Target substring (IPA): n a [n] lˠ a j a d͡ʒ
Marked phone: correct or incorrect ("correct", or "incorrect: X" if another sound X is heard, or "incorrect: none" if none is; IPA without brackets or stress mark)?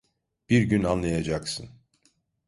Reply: correct